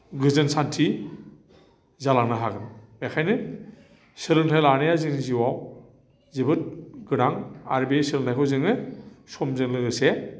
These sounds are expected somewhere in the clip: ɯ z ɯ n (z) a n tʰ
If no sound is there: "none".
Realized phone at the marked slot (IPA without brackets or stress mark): s